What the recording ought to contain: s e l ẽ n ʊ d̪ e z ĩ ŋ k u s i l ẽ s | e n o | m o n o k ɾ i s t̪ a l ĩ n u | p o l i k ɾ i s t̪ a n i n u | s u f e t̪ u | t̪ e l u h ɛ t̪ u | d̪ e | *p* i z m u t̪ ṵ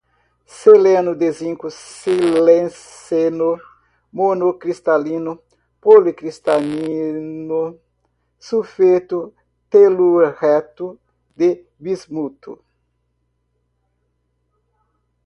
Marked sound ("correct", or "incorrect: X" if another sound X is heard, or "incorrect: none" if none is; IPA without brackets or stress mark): incorrect: b